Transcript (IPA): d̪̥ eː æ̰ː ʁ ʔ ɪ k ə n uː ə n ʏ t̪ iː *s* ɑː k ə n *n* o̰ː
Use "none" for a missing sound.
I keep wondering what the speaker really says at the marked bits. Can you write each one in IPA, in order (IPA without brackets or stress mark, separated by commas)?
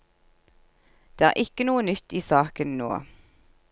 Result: s, n